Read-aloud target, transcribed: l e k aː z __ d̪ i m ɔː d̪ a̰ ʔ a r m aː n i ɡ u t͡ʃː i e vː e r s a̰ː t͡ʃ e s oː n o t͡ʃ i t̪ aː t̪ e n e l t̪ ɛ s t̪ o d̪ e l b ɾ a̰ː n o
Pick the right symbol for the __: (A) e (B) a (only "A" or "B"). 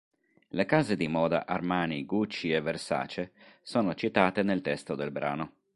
A